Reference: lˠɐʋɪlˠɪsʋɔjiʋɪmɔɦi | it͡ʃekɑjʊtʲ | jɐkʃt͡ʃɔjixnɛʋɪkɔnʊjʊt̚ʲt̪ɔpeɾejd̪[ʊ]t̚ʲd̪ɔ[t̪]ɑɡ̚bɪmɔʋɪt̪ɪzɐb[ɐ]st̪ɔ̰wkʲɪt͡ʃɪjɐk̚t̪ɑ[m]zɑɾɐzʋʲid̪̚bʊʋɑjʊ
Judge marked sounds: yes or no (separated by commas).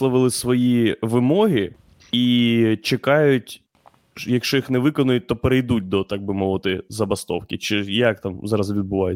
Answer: no, yes, yes, yes